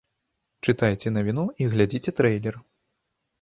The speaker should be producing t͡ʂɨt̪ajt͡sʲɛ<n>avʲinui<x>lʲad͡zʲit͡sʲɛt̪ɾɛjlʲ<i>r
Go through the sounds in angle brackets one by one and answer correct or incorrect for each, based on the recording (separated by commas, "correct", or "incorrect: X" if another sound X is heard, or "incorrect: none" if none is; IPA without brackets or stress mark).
correct, incorrect: ɣ, incorrect: ɛ